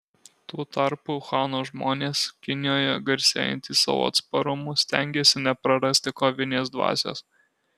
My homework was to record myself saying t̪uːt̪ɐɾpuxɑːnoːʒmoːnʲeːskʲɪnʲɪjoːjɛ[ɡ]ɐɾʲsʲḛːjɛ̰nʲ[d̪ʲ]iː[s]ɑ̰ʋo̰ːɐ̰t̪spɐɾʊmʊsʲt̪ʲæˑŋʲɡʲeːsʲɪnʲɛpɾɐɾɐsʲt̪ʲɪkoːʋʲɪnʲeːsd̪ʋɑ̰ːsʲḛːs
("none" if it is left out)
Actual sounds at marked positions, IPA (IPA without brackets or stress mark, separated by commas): ɡ, t̪ʲ, s